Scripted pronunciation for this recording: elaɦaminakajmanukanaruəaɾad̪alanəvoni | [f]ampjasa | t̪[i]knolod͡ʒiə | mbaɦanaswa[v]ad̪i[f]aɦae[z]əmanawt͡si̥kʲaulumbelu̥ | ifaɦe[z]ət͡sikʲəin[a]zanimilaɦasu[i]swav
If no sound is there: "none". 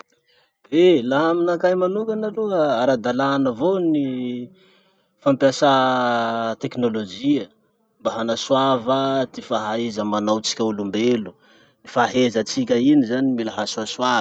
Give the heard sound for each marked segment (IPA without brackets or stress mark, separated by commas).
f, e, v, f, z, z, i, a